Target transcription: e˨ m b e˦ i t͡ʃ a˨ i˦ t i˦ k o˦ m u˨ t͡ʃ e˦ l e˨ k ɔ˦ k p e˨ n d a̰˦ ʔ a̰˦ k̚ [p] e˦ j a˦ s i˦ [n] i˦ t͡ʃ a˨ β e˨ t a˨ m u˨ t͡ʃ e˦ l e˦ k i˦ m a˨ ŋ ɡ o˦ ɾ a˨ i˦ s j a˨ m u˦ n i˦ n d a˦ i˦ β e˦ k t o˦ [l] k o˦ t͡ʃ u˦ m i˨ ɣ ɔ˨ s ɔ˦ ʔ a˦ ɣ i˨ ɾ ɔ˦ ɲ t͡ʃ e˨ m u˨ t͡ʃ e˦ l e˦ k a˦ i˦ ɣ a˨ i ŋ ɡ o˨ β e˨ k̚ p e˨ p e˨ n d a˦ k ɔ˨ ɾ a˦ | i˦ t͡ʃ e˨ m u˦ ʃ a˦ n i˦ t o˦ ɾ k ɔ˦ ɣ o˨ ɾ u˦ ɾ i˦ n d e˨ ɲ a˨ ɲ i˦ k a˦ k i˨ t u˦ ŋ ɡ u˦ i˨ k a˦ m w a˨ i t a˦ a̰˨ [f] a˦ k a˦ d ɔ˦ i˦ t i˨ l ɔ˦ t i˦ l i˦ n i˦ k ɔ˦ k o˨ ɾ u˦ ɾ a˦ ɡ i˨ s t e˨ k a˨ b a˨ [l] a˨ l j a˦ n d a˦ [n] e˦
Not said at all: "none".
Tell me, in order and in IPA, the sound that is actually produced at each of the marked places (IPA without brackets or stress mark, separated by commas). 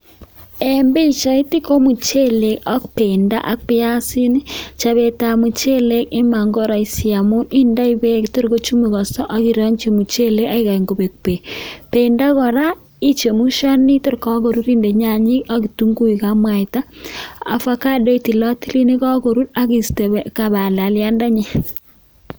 p, n, ɾ, f, l, ɲ